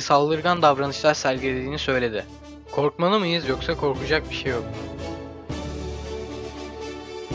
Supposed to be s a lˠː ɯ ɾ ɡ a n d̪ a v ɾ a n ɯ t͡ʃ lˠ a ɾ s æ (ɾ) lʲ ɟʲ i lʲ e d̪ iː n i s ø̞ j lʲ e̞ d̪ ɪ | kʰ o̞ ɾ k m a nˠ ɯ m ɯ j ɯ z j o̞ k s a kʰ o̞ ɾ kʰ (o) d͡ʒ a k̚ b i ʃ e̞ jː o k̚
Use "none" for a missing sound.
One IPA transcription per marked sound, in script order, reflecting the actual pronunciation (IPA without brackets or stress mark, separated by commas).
none, u